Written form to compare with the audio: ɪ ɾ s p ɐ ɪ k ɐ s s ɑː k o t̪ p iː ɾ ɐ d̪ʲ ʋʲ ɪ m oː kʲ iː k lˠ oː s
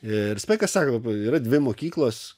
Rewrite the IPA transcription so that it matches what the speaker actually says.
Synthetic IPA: ɪ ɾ s p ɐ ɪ k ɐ s s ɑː k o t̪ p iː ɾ ɐ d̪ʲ ʋʲ ɪ m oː kʲ iː k lˠ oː s